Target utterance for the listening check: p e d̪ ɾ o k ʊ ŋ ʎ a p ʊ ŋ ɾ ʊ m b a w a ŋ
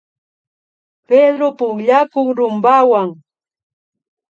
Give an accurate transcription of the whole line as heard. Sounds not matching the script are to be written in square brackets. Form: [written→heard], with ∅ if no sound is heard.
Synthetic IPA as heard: p e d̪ ɾ o [k→p] ʊ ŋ ʎ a [p→k] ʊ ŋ ɾ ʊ m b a w a ŋ